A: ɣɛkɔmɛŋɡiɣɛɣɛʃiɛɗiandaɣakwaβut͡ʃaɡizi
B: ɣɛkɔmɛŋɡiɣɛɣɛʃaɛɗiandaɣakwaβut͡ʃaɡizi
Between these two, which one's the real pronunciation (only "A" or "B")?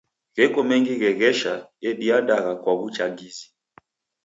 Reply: B